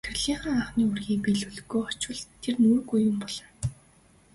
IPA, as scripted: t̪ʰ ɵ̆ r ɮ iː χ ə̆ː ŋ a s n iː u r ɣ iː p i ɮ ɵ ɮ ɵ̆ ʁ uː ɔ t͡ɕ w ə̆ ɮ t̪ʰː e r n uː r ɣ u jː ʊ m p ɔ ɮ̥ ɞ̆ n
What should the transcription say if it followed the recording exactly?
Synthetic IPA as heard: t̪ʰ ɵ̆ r ɮ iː χ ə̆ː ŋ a χ n iː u r ɣ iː p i ɮ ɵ ɮ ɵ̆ ɣ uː ɔ t͡ɕ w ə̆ ɮ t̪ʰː e r n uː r ɣ u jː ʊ m p ɔ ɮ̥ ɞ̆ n